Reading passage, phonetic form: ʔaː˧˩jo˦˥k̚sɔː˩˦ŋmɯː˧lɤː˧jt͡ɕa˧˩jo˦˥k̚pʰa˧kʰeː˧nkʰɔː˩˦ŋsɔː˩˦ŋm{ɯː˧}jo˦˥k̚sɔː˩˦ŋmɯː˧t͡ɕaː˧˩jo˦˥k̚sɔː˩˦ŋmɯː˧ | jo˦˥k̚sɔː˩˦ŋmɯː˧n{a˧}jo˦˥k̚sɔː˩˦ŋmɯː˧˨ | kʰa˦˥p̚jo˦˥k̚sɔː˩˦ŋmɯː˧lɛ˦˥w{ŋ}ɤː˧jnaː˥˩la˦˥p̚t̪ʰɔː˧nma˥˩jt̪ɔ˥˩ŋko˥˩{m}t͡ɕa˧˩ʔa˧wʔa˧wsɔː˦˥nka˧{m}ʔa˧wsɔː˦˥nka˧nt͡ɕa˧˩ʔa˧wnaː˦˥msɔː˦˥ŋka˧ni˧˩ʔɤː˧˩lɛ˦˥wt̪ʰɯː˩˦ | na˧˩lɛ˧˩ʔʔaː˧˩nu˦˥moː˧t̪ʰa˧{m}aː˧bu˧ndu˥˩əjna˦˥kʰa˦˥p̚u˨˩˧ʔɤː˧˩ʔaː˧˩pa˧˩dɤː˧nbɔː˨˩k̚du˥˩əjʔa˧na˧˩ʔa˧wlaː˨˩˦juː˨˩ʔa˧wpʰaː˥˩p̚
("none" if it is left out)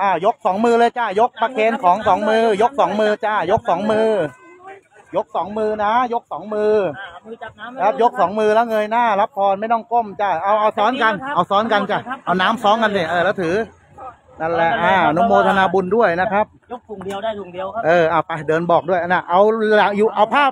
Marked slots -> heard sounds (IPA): ɯː˧, a˦˥, ŋ, m, n, n

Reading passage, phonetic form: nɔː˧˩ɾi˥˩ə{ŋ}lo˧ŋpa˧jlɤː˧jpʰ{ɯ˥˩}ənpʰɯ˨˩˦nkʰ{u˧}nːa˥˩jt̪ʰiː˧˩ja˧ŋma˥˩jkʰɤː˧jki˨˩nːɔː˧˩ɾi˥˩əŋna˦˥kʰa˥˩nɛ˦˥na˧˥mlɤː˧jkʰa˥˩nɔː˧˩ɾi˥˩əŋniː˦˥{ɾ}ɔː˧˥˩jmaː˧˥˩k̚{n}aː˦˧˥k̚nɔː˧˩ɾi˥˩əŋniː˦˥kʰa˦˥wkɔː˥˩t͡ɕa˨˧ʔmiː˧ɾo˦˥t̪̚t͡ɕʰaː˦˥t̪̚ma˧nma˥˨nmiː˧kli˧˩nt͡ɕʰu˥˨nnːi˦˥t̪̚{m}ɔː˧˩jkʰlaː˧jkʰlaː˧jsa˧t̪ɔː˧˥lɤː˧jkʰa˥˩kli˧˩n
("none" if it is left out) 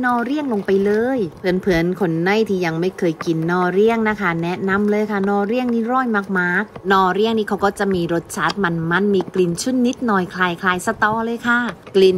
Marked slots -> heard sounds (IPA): ŋ, ɯ˨˩˦, o˧, ɾ, m, n

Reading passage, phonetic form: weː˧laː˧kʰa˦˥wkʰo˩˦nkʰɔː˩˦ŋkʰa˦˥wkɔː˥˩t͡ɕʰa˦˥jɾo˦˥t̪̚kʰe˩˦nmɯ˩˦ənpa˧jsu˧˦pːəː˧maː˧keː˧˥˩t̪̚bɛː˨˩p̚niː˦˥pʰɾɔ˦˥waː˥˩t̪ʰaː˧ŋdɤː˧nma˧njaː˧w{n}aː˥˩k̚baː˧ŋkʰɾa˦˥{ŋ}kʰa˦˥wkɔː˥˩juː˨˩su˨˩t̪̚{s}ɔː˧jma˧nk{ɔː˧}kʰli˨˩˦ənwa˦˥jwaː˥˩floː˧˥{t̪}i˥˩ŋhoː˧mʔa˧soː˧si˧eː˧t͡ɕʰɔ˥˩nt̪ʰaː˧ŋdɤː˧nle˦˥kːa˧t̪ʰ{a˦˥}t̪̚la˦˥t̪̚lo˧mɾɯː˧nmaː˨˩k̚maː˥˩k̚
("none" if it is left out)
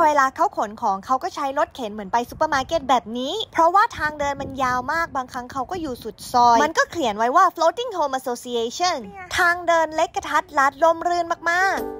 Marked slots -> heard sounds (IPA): m, ŋ, s, ɔː˥˩, t̪, a˦˥

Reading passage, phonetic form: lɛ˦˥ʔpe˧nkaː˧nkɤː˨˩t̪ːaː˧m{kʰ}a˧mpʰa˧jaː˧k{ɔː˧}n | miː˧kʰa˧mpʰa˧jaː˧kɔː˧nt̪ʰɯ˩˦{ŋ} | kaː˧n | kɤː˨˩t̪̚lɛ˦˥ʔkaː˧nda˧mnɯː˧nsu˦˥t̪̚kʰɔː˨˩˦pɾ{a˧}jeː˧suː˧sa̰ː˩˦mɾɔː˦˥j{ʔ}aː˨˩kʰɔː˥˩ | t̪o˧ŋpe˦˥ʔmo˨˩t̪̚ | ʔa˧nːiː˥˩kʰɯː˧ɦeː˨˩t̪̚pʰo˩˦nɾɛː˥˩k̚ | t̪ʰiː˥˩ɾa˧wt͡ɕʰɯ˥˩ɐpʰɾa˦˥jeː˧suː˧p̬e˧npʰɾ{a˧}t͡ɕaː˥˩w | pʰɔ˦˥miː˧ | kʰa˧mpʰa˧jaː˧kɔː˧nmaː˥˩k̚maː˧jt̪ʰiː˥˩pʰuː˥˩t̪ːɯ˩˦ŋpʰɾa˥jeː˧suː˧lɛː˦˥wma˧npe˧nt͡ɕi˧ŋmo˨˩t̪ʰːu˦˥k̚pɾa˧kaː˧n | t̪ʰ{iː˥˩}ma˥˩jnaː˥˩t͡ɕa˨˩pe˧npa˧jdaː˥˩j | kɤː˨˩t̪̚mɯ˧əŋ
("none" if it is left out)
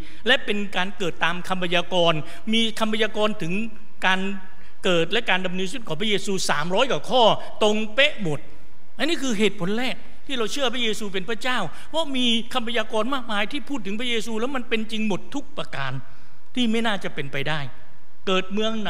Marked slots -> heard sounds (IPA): kʰ, ɔː˧, ŋ, a˥, k, a˦˥, iː˥˩

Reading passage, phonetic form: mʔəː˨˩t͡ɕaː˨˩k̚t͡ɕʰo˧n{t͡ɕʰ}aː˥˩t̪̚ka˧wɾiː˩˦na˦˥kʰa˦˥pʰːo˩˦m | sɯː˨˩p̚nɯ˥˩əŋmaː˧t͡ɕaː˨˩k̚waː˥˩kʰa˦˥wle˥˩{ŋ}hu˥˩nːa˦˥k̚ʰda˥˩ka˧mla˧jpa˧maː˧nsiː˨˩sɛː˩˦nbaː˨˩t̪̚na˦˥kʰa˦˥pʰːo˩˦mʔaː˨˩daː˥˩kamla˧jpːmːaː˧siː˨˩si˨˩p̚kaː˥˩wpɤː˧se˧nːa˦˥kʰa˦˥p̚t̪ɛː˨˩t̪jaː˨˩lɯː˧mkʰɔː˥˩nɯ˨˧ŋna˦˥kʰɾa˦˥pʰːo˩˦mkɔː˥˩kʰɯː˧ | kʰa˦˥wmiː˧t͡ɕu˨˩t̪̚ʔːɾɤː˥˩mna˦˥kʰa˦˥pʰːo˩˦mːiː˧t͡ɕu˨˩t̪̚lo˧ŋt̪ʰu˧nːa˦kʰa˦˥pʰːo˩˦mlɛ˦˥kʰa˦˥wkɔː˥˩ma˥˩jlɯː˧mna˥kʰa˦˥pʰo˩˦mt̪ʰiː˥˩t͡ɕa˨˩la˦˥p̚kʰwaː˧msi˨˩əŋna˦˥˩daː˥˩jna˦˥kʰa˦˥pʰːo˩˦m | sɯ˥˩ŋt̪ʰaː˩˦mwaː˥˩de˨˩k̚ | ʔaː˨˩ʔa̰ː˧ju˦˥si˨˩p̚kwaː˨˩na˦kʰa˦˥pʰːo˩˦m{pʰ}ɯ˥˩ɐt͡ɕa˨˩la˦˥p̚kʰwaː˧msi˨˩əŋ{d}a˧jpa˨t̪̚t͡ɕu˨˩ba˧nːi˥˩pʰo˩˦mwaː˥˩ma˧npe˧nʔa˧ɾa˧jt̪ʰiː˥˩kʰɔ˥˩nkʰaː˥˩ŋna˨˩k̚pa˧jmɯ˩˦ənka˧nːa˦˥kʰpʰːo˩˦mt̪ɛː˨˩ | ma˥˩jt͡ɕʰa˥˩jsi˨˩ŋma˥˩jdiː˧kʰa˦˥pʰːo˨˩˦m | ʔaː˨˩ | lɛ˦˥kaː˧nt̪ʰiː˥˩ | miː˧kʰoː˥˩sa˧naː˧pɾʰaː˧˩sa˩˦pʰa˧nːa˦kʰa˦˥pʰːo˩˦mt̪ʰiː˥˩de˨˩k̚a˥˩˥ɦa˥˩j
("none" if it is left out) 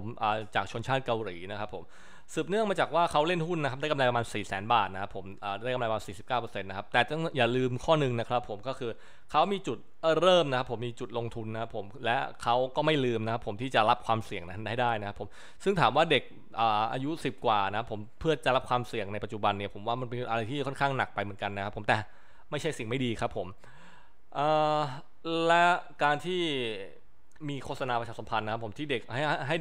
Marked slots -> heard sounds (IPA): t͡ɕʰ, n, pʰ, n

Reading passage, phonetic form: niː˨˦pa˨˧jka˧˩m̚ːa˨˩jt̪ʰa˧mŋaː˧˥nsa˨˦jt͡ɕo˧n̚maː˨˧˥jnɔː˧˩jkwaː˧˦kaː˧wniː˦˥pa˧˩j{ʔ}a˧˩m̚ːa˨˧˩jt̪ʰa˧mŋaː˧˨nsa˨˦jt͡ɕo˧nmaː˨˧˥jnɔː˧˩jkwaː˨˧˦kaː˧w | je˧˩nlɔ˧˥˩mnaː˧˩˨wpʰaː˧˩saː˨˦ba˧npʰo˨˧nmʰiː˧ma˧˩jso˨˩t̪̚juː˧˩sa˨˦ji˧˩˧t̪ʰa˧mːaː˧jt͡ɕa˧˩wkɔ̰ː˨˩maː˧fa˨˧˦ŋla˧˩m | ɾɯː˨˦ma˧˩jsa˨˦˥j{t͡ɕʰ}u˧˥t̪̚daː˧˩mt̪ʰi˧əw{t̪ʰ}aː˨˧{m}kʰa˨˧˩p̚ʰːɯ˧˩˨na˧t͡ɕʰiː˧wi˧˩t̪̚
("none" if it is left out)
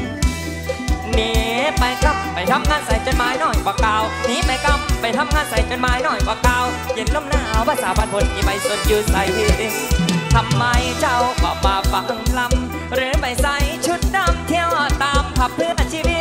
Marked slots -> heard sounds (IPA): k, t͡ɕʰ, t̪, m

